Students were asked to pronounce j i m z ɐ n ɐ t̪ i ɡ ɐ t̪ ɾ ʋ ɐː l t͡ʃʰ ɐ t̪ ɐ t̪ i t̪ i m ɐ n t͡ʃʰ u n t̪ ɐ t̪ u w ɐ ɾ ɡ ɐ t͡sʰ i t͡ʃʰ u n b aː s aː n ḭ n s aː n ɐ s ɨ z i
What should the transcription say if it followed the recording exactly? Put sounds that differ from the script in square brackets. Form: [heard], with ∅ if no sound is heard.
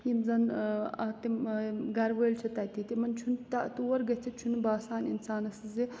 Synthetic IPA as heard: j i m z ɐ n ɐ t̪ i ɡ ɐ [∅] ɾ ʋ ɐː l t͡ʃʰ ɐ t̪ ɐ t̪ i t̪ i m ɐ n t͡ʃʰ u n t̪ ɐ t̪ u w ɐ ɾ ɡ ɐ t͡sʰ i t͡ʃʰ u n b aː s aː n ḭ n s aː n ɐ s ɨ z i